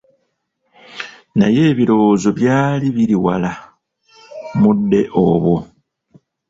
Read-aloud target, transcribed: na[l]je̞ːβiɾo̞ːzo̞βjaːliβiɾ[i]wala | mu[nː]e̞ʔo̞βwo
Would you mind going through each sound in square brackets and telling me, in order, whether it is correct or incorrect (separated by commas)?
incorrect, correct, incorrect